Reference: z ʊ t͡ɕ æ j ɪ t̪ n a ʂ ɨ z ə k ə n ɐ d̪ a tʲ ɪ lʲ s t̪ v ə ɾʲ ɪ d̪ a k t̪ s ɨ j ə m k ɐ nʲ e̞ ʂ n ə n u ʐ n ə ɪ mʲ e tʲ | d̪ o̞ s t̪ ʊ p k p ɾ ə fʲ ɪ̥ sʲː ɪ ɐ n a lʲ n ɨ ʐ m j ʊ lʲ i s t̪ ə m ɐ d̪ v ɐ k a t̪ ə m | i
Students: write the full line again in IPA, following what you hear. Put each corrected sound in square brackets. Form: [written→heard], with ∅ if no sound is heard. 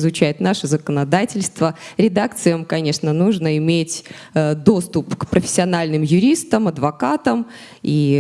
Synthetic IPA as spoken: z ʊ t͡ɕ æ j ɪ t̪ n a ʂ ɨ z ə k ə n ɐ d̪ a tʲ ɪ lʲ s t̪ v ə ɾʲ ɪ d̪ a k t̪ s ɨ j ə m k ɐ nʲ e̞ ʂ n ə n u ʐ n ə ɪ mʲ e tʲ | d̪ o̞ s t̪ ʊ p k p ɾ ə fʲ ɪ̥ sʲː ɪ ɐ n a lʲ n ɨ [ʐ→∅] m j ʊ [lʲ→ɾʲ] i s t̪ ə m ɐ d̪ v ɐ k a t̪ ə m | i